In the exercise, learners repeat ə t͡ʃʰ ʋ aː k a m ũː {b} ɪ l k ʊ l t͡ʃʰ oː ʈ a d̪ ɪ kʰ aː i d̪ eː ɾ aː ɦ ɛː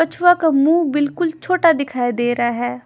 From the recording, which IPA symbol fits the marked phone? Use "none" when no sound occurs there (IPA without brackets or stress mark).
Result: b